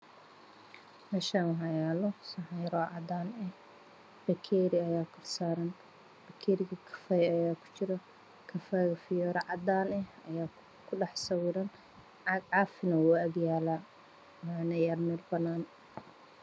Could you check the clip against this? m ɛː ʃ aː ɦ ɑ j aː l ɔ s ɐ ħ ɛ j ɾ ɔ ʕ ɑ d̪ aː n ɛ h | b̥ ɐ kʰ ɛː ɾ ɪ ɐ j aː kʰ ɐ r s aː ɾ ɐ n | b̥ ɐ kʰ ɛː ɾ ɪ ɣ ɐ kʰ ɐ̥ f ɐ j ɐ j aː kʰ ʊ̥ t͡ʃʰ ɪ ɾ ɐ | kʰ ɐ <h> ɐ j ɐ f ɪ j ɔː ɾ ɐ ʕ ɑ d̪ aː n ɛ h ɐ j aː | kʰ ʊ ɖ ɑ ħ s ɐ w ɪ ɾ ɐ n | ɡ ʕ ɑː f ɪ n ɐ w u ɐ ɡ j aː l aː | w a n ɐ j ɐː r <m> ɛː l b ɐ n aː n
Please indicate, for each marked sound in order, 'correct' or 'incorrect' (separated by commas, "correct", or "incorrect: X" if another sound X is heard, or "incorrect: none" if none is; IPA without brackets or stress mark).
incorrect: f, correct